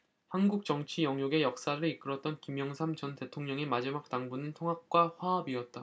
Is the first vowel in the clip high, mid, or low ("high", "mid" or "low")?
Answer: low